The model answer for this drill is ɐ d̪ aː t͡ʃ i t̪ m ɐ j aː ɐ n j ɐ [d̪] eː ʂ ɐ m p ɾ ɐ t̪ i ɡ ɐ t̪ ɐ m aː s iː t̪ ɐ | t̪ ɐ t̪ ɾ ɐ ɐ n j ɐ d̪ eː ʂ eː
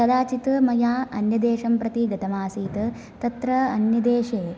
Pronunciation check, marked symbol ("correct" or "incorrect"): correct